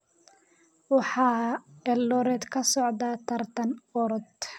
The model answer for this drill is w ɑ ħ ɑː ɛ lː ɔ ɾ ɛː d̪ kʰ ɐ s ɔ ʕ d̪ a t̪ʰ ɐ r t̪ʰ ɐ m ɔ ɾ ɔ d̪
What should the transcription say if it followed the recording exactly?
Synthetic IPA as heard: w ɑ ħ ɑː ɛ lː ɔ ɾ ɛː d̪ kʰ ɐ s ɔ ʕ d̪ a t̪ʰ ɐ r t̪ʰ ɐ n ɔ ɾ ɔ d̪

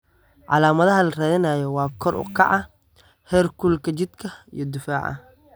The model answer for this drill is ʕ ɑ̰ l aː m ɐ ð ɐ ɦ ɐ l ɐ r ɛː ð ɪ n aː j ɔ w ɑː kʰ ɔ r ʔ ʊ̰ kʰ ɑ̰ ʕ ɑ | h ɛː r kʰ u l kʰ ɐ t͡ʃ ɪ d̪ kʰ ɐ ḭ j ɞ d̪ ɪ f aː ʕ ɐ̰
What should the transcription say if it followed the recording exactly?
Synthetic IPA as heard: ʕ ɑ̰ l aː m ɐ ð ɐ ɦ ɐ l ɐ r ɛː ð ɪ n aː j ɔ w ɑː kʰ ɔ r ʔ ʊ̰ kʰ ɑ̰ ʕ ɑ | h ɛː r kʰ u l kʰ ɐ t͡ʃ ɪ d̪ kʰ ɐ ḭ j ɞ d̪ ɪ f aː ʕ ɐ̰

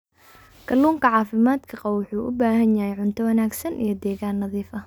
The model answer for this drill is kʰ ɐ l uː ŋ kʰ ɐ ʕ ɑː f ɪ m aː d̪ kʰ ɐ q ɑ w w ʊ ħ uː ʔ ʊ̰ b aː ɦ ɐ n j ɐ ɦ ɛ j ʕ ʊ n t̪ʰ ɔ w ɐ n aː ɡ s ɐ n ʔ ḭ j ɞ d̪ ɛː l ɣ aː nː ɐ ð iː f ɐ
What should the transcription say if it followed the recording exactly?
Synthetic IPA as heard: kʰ ɐ l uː ŋ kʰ ɐ ʕ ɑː f ɪ m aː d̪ kʰ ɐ q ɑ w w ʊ ħ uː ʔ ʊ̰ b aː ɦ ɐ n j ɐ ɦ ɛ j ʕ ʊ n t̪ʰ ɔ w ɐ n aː ɡ s ɐ n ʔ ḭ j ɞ d̪ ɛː ɣ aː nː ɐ ð iː f ɐ

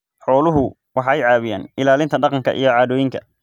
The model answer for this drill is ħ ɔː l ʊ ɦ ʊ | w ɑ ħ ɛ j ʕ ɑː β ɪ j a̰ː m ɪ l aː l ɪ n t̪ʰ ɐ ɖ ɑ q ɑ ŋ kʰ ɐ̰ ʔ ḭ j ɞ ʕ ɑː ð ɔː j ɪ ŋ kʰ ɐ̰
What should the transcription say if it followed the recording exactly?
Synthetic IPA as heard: ħ ɔː l ʊ ɦ ʊ | w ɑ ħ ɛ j ʕ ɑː β ɪ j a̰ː n ɪ l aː l ɪ n t̪ʰ ɐ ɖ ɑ q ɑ ŋ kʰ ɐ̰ ʔ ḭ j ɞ ʕ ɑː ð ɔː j ɪ ŋ kʰ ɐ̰

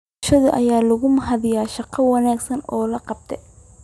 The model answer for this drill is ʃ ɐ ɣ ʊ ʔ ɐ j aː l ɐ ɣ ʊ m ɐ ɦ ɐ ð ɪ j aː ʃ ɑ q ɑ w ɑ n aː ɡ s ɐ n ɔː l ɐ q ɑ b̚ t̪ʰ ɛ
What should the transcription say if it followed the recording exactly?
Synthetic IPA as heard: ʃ ɐ ð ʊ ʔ ɐ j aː l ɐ ɣ ʊ m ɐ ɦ ɐ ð ɪ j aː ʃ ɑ q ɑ w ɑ n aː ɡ s ɐ n ɔː l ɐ q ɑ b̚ t̪ʰ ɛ

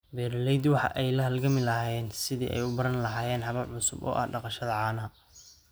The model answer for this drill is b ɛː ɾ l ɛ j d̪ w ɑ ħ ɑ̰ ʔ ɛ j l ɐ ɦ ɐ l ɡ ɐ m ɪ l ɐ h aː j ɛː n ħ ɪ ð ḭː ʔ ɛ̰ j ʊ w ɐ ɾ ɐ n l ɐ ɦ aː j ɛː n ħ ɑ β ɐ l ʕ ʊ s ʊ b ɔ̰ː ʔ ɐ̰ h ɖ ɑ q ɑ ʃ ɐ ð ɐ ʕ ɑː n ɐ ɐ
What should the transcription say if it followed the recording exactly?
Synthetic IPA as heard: b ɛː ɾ l ɛ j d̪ w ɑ ħ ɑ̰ ʔ ɛ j l ɐ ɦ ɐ l ɡ ɐ m ɪ l ɐ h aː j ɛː n s ɪ ð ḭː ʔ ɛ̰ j ʊ b ɐ ɾ ɐ n l ɐ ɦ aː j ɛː n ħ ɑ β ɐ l ʕ ʊ s ʊ b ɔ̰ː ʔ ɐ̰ h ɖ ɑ q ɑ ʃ ɐ ð ɐ ʕ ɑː n ɐ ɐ

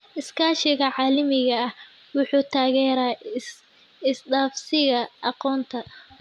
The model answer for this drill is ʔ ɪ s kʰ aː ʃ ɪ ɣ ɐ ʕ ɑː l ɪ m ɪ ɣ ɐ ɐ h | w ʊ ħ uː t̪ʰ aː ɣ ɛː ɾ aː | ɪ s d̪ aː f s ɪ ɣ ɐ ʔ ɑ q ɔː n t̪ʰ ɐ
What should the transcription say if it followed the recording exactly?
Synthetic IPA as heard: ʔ ɪ s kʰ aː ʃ ɪ ɣ ɐ ʕ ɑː l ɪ m ɪ ɣ ɐ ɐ h | w ʊ ħ uː t̪ʰ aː ɣ ɛː ɾ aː | ɪ s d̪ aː f s ɪ ɣ ɐ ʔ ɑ q ɔː n t̪ʰ ɐ

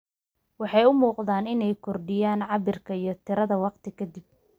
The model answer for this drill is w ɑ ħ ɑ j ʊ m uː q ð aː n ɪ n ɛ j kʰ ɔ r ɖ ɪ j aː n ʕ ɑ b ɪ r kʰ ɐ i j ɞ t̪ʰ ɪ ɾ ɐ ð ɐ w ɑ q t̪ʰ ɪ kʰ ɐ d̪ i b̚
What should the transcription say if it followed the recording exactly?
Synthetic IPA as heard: w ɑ ħ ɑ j ʊ m uː q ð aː n ɪ n ɛ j kʰ ɔ r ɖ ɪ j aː n ʕ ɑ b ɪ r kʰ ɐ i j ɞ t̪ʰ ɪ ɾ ɐ ð ɐ w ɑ q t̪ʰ ɪ kʰ ɐ d̪ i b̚

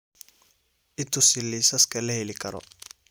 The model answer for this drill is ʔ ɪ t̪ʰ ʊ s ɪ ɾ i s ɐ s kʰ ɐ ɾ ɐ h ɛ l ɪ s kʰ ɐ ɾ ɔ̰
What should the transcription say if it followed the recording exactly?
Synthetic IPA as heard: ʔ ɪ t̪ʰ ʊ s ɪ l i s ɐ s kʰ ɐ l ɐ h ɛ l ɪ kʰ ɐ ɾ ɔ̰

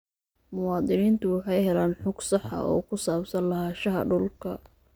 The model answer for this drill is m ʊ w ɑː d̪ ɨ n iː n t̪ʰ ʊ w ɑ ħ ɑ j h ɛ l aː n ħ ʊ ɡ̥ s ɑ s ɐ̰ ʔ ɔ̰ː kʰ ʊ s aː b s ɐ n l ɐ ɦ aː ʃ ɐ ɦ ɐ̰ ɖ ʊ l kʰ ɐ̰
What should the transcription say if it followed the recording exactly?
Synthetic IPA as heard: m ʊ w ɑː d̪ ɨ n iː n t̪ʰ ʊ w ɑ ħ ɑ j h ɛ l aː n ħ ʊ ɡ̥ s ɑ ħ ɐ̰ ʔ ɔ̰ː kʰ ʊ s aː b s ɐ n l ɐ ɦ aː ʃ ɐ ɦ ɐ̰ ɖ ʊ l kʰ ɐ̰

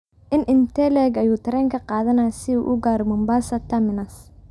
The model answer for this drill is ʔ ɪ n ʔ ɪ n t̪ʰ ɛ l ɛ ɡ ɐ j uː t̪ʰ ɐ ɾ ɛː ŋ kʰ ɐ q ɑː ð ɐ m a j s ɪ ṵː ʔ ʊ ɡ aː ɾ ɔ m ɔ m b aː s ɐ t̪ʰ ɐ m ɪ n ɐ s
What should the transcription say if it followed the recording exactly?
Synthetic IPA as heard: ʔ ɪ n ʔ ɪ n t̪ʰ ɛ l ɛ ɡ ɐ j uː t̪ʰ ɐ ɾ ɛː ŋ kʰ ɐ q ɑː ð ɐ n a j s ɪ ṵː ʔ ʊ ɡ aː ɾ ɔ m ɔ m b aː s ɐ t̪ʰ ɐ m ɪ n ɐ s

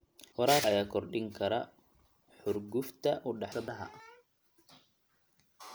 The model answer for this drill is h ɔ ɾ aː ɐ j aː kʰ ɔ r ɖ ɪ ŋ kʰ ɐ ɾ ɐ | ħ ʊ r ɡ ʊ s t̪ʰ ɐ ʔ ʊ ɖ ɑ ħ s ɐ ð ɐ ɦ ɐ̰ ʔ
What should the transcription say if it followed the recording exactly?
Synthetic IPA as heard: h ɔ ɾ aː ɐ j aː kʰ ɔ r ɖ ɪ ŋ kʰ ɐ ɾ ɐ | ħ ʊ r ɡ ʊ f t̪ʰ ɐ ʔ ʊ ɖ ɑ ħ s ɐ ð ɐ ɦ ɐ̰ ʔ

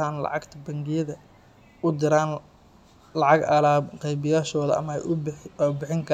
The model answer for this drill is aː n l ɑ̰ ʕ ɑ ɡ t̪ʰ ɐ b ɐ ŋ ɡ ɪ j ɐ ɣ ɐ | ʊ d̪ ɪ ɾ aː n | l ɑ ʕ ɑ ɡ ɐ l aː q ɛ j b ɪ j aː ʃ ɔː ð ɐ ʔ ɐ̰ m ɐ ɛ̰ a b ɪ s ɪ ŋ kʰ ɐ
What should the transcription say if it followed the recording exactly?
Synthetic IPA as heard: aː n l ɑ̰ ʕ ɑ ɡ t̪ʰ ɐ b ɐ ŋ ɡ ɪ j ɐ ð ɐ | ʊ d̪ ɪ ɾ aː n | l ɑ ʕ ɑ ɡ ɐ l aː q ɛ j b ɪ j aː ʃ ɔː ð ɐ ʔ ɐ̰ m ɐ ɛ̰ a b ɪ ħ ɪ ŋ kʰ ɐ

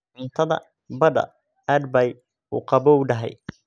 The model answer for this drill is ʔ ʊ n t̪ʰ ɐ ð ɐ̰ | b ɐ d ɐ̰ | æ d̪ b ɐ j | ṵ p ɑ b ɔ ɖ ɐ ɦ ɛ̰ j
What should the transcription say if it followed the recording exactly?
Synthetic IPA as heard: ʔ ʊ n t̪ʰ ɐ ð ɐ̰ | b ɐ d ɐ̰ | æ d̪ b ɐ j | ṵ q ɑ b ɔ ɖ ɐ ɦ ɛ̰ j

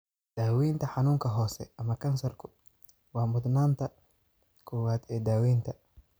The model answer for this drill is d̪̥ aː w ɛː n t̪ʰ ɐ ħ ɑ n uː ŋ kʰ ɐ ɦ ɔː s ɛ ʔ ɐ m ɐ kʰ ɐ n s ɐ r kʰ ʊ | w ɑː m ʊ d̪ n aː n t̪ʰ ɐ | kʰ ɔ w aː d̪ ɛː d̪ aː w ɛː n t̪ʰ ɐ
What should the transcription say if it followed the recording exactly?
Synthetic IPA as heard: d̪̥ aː w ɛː n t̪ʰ ɐ ħ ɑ n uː ŋ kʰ ɐ ɦ ɔː s ɛ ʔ ɐ m ɐ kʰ ɐ n s ɐ r kʰ ʊ | w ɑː m ʊ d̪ n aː n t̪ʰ ɐ | kʰ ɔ w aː d̪ ɛː d̪ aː w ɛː n t̪ʰ ɐ

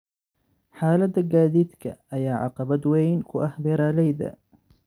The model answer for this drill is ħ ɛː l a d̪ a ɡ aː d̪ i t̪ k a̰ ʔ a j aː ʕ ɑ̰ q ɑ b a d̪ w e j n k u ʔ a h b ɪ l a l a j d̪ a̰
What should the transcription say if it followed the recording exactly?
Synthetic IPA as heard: ħ aː l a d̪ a ɡ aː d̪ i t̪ k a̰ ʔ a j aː ʕ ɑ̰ q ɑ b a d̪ w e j n k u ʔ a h b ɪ ɾ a l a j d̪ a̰

